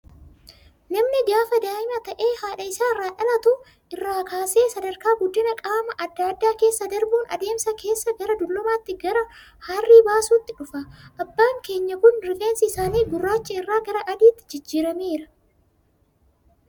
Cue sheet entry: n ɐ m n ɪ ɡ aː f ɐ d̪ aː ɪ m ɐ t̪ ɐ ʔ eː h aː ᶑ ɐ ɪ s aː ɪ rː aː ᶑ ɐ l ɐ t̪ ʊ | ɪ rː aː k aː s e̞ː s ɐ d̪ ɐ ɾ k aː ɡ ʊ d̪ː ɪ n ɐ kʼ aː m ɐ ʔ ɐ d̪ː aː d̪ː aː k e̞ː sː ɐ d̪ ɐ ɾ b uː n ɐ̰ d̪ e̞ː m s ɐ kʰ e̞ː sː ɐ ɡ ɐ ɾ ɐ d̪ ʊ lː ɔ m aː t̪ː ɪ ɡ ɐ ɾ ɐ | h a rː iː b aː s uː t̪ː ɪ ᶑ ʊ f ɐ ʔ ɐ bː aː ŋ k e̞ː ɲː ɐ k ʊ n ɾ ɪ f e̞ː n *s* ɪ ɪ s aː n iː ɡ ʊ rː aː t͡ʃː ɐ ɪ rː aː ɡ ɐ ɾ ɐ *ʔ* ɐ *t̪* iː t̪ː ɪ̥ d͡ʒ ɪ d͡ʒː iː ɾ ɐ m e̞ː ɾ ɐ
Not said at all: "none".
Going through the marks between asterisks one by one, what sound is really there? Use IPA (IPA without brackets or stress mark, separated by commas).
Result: s, ʔ, d̪